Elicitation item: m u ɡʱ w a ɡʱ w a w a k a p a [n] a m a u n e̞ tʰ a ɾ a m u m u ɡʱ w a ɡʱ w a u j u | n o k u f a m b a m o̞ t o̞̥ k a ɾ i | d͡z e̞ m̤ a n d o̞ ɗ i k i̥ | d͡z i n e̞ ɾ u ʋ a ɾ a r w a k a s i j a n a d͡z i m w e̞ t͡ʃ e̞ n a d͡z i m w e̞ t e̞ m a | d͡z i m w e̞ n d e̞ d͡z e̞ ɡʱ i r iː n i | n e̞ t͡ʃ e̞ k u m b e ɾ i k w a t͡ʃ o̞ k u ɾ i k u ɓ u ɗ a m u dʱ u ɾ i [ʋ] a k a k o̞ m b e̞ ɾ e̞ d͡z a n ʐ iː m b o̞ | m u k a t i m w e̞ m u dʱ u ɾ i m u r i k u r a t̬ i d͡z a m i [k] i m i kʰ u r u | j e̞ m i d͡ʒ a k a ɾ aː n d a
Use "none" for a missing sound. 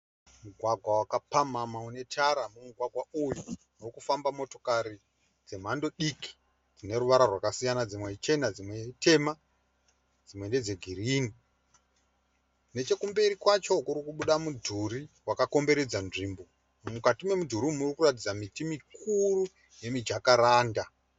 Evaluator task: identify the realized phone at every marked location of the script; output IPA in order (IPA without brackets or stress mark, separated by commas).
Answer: m, w, t